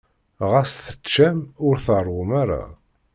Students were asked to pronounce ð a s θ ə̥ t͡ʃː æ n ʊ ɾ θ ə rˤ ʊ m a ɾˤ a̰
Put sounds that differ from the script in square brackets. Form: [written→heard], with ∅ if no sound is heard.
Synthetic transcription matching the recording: [ð→ʁ] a s θ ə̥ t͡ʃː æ [n→m] ʊ ɾ θ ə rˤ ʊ m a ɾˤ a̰